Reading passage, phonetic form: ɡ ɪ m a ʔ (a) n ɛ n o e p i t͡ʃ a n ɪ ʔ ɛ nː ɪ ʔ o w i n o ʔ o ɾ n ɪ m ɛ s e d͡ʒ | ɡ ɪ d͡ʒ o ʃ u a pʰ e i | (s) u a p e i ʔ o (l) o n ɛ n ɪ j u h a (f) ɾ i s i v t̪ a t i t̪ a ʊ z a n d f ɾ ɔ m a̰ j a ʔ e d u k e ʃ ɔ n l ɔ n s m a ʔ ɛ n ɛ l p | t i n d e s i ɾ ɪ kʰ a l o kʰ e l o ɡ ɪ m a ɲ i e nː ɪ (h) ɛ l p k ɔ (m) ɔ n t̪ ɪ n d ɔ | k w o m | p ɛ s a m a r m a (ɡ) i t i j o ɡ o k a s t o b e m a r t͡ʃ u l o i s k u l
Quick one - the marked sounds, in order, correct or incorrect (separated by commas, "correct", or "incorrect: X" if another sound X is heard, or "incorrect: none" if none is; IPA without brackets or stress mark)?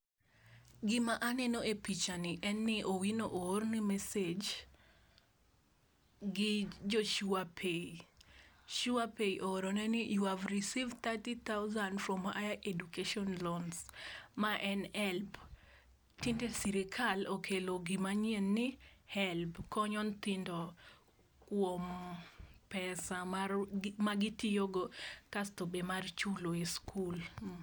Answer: correct, incorrect: ʃ, incorrect: ɾ, incorrect: v, correct, incorrect: ɲ, correct